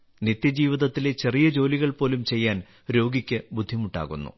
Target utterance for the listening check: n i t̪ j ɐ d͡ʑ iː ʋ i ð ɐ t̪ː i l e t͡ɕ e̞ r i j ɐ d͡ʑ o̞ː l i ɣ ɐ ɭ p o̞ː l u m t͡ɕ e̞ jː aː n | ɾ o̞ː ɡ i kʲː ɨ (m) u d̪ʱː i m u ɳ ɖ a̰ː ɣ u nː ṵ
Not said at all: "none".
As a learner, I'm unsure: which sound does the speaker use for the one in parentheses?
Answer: b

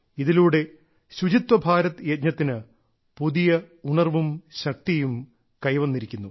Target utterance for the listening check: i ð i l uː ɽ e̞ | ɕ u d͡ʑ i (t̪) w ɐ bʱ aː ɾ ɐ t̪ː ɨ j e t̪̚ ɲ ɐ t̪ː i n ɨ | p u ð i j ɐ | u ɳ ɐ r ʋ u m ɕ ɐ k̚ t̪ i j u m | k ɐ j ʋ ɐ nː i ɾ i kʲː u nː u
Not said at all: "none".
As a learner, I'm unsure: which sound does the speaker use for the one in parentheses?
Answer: t̪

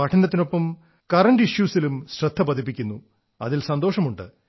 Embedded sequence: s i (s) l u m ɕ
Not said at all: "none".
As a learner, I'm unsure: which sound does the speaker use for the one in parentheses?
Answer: none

